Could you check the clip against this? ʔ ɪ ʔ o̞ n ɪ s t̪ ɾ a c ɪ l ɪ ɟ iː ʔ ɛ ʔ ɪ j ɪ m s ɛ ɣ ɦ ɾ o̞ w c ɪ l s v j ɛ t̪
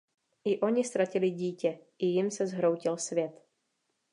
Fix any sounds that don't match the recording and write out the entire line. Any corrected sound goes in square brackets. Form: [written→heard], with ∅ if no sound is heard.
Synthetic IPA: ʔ ɪ ʔ o̞ [n→ɲ] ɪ s t̪ ɾ a c ɪ l ɪ ɟ iː [ʔ→c] ɛ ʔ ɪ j ɪ m s ɛ [ɣ→z] ɦ ɾ o̞ w c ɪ l s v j ɛ t̪